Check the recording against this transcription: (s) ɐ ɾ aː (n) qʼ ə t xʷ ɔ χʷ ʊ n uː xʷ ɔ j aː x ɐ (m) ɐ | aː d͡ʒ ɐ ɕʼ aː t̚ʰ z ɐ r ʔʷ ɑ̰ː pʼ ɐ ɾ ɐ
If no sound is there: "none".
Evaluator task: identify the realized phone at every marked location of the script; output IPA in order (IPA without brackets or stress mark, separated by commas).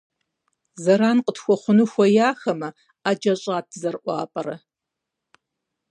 z, n, m